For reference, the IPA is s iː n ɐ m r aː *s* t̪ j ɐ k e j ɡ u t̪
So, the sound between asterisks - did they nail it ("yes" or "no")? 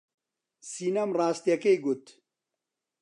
yes